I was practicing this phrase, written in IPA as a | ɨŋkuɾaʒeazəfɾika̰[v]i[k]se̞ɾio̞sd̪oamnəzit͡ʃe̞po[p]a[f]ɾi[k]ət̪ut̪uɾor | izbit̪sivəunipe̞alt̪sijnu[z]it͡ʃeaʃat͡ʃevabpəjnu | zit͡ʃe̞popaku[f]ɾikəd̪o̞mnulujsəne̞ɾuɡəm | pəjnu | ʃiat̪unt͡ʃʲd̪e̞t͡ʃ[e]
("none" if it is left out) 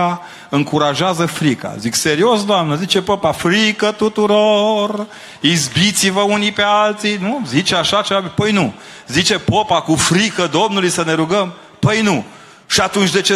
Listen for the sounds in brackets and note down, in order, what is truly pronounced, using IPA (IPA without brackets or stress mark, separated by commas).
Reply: z, k, p, f, k, z, f, e